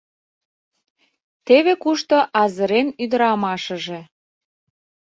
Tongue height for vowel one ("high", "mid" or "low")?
mid